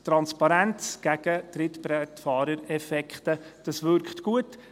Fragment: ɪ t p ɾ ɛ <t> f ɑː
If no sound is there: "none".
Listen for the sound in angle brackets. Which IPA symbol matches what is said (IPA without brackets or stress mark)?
t